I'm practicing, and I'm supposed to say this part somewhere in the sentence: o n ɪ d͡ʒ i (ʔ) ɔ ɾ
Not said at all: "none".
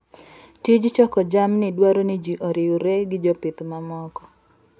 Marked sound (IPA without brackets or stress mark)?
ʔ